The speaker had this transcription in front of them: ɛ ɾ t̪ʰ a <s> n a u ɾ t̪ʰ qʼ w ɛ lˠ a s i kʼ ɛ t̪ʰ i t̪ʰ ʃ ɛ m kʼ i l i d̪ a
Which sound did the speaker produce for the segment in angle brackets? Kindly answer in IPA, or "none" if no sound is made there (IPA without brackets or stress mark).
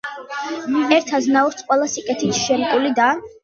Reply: z